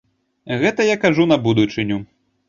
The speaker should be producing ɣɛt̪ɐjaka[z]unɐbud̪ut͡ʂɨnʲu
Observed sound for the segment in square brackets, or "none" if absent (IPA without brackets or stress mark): ʐ